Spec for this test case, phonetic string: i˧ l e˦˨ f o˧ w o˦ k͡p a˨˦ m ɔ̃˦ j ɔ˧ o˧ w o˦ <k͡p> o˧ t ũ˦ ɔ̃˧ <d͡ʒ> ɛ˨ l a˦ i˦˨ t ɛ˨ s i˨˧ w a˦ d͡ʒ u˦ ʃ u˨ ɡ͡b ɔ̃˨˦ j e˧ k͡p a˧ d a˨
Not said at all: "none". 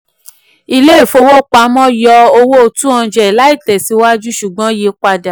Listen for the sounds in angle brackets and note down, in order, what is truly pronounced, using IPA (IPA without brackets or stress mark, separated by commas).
none, d͡ʒ